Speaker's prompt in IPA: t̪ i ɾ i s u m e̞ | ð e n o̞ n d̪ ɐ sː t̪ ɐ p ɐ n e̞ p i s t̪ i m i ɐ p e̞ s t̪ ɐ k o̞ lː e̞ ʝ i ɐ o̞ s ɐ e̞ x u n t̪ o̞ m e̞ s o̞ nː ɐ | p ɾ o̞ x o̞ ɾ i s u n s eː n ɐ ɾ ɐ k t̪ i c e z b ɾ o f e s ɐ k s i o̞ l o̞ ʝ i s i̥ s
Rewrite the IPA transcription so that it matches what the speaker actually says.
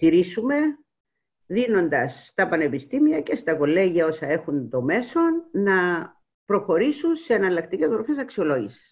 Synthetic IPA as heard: t̪ i ɾ i s u m e̞ | ð i n o̞ n d̪ ɐ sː t̪ ɐ p ɐ n e̞ p i s t̪ i m i ɐ c e̞ s t̪ ɐ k o̞ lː e̞ ʝ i ɐ o̞ s ɐ e̞ x u n t̪ o̞ m e̞ s o̞ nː ɐ | p ɾ o̞ x o̞ ɾ i s u n s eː n ɐ l ɐ k t̪ i c e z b ɾ o f e s ɐ k s i o̞ l o̞ ʝ i s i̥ s